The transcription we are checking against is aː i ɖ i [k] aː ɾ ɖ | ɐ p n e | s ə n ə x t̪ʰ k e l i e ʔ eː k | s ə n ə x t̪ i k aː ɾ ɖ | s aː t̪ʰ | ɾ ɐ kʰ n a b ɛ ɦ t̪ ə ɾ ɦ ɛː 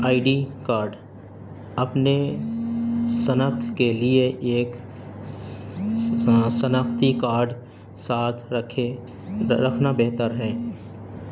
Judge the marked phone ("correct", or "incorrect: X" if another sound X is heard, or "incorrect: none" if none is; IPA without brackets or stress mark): correct